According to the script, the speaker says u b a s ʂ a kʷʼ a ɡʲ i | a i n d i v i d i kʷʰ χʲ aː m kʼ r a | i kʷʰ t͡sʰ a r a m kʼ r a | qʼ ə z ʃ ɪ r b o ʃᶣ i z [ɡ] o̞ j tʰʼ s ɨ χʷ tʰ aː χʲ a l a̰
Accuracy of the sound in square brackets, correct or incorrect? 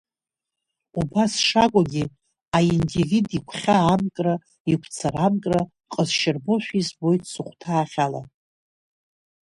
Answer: incorrect